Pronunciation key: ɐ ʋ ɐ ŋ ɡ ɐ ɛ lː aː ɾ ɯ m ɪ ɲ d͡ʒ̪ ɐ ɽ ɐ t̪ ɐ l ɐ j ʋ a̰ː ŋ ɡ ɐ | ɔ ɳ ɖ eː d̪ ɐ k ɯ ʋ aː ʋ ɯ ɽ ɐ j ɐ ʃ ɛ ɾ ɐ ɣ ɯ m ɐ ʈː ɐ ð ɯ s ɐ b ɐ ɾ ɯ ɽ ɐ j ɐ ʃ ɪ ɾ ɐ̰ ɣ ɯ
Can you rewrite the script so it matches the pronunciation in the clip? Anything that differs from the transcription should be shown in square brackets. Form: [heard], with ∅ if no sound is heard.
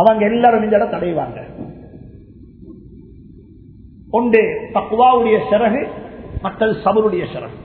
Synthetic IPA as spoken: ɐ ʋ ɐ ŋ ɡ ɐ ɛ lː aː ɾ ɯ m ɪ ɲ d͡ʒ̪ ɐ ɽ ɐ t̪ ɐ [ɽ] ɐ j ʋ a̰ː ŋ ɡ ɐ | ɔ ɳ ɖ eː [t̪] ɐ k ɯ ʋ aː ʋ ɯ ɽ ɐ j ɐ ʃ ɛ ɾ ɐ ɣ ɯ m ɐ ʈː ɐ ð ɯ s ɐ b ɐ ɾ ɯ ɽ ɐ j ɐ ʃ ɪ ɾ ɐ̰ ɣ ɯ